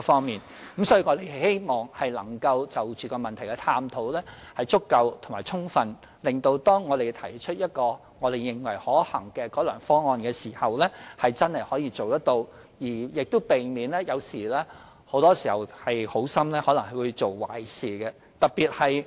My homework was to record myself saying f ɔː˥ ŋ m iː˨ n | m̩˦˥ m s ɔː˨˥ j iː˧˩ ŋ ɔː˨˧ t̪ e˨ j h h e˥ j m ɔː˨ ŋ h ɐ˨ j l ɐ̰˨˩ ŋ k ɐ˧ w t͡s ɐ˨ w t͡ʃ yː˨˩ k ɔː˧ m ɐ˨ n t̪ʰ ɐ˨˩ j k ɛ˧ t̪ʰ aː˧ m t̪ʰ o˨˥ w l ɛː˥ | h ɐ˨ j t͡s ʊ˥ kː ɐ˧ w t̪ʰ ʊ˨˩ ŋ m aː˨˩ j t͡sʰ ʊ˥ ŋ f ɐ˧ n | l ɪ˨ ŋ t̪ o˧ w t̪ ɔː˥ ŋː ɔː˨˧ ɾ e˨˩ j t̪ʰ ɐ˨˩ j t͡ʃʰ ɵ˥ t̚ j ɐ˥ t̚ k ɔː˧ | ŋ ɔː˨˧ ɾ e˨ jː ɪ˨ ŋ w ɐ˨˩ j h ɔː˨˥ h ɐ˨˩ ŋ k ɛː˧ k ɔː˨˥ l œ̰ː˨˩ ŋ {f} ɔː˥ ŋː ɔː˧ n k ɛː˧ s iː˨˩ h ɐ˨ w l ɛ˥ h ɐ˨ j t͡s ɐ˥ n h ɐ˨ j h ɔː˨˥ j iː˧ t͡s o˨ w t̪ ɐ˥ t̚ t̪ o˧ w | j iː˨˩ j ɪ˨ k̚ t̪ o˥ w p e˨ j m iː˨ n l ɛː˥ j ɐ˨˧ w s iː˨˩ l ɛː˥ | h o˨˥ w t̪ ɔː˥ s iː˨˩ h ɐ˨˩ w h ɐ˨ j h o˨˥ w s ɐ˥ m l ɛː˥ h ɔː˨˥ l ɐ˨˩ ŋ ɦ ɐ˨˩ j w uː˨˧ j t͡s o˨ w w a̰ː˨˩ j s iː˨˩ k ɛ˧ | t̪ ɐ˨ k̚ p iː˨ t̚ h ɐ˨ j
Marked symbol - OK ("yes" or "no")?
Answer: yes